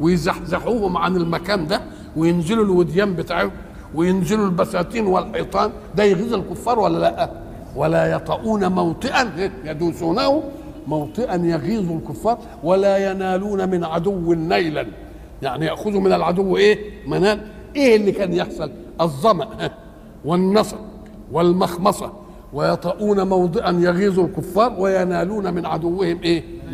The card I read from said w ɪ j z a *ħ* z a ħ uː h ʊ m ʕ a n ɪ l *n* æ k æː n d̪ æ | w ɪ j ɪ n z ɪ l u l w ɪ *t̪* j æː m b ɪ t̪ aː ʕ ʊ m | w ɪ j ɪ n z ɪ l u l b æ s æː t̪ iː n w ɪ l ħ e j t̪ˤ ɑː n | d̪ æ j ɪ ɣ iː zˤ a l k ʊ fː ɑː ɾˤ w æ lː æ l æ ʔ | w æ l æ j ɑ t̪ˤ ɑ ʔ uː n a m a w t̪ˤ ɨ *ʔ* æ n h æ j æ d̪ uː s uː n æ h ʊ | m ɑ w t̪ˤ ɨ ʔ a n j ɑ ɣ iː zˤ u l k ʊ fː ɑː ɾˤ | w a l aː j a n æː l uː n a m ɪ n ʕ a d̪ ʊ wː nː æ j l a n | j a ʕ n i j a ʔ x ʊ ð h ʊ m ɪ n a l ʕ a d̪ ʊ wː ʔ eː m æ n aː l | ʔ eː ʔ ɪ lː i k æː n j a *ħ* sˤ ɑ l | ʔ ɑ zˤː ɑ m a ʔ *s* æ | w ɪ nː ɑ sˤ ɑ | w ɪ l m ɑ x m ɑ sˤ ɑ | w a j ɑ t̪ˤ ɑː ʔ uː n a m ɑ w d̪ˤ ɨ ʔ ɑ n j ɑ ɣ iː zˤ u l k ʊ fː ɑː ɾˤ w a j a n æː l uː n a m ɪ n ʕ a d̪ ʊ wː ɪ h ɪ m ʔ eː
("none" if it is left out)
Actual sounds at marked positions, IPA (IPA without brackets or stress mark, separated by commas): ħ, m, d̪, ʔ, ħ, h